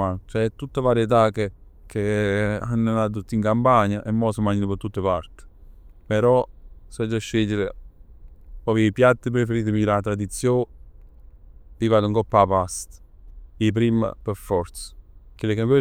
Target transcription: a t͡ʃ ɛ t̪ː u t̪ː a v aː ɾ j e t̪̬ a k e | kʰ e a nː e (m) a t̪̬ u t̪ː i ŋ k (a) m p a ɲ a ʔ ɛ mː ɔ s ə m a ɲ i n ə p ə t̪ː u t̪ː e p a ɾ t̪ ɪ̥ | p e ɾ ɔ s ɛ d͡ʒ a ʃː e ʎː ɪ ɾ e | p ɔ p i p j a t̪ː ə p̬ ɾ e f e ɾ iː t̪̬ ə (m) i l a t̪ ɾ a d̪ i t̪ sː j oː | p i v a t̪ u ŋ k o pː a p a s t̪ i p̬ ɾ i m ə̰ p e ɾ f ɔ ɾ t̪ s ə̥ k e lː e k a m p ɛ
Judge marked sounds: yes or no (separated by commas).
no, yes, yes